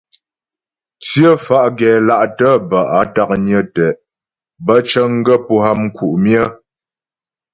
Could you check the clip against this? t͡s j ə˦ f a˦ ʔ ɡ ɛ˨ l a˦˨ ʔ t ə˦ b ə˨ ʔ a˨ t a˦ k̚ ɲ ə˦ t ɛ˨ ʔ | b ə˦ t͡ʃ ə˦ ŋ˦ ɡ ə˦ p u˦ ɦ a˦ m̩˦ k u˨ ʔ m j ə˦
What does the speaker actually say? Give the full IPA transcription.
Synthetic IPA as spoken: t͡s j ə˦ f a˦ ʔ ɡ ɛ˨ l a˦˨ ʔ t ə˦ b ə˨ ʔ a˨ t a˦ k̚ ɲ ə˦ t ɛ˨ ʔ | b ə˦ t͡ʃ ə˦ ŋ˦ ɡ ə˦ p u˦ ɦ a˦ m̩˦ k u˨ ʔ m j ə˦